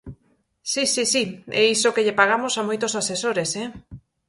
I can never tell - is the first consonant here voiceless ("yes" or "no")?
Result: yes